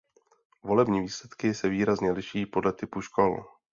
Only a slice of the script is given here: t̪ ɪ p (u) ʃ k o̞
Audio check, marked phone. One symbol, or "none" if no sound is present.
u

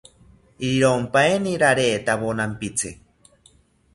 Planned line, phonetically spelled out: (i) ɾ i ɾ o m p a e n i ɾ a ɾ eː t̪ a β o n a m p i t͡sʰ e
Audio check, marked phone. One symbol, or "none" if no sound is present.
i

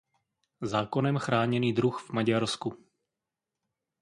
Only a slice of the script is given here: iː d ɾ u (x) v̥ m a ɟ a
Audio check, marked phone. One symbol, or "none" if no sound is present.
x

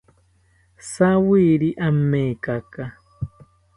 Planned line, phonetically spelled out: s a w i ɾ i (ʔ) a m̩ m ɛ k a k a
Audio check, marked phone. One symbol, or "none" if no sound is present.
ʔ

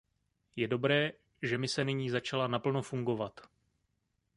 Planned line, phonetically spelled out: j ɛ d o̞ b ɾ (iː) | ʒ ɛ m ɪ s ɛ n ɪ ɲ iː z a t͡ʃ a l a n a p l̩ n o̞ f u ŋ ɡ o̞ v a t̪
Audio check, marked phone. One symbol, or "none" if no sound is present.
ɛː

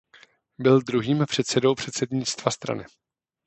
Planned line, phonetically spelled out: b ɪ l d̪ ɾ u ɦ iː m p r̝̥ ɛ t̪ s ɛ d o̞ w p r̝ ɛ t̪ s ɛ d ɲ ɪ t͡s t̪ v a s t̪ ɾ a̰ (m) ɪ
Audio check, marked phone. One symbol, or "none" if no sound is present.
n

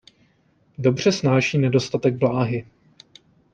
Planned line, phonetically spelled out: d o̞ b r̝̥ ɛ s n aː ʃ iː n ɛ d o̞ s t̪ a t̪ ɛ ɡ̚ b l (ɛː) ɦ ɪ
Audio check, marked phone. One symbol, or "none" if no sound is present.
aː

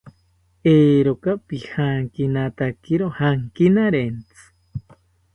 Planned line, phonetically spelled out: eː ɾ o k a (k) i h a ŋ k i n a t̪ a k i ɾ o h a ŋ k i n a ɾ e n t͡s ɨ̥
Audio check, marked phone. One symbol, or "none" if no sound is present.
p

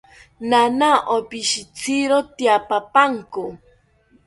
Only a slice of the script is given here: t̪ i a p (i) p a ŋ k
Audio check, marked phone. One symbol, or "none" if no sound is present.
a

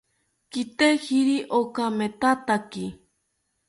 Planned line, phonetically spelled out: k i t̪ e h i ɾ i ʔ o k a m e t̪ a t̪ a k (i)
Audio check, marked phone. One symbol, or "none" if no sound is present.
i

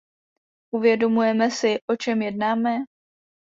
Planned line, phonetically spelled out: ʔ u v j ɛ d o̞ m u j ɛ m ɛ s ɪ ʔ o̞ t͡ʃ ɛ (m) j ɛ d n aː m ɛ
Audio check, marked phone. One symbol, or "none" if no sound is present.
m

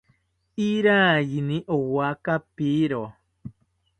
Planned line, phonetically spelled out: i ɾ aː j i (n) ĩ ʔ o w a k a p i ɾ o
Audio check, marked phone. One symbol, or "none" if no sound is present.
n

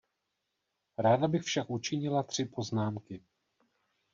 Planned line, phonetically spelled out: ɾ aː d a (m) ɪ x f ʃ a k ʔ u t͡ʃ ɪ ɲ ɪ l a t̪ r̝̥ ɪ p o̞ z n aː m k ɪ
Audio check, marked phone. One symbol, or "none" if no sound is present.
b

